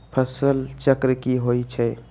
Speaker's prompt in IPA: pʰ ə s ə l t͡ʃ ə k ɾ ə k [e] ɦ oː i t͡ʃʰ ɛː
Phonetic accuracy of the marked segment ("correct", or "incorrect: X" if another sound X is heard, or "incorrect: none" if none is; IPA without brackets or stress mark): incorrect: i